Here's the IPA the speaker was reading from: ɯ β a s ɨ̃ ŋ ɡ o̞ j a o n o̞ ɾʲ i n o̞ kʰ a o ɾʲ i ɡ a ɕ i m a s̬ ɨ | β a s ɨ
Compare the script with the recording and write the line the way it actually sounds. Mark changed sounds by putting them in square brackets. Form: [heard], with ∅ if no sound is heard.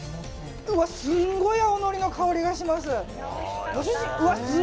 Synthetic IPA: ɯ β a s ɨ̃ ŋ ɡ o̞ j a o n o̞ ɾʲ i n o̞ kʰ a o ɾʲ i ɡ a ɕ i m a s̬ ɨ | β a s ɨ